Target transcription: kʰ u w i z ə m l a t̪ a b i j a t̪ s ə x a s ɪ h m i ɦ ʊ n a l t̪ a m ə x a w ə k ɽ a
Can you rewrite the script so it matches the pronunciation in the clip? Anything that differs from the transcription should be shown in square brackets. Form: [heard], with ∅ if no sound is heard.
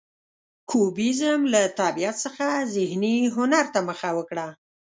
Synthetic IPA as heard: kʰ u [b] i z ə m l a t̪ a b i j a t̪ s ə x a [z] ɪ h [n] i ɦ ʊ n a [ɾ] t̪ a m ə x a w ə k ɽ a